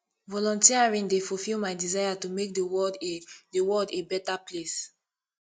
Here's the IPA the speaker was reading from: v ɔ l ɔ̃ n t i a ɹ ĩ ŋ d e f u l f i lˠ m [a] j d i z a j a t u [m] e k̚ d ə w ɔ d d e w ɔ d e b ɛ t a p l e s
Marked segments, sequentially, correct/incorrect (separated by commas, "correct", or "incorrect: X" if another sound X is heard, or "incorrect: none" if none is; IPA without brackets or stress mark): correct, correct